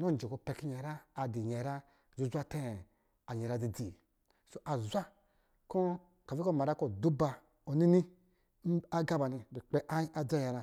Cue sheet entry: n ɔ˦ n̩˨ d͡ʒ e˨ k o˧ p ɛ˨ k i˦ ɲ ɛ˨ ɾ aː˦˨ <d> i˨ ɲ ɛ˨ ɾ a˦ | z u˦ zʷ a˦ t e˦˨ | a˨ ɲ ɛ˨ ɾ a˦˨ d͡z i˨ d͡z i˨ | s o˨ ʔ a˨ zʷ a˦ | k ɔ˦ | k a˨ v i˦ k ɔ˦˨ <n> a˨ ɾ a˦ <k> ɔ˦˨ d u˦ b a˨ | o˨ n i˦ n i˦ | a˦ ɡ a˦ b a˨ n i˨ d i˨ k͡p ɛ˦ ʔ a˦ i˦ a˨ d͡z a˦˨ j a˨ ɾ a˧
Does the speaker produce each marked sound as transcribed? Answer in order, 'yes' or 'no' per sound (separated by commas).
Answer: yes, no, yes